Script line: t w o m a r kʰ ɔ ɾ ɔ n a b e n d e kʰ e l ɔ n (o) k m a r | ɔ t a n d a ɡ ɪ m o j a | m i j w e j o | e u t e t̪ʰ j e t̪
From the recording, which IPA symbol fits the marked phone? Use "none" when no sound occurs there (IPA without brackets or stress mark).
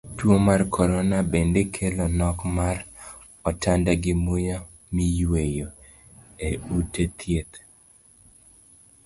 ɔ